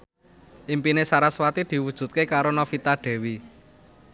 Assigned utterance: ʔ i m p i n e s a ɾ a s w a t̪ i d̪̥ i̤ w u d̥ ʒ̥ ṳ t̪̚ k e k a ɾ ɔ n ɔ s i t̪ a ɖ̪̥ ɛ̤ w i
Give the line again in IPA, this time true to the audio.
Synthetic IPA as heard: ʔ i m p i n e s a ɾ a s w a t̪ i d̪̥ i̤ w u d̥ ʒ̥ ṳ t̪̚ k e k a ɾ o n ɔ f i t̪ a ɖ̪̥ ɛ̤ w i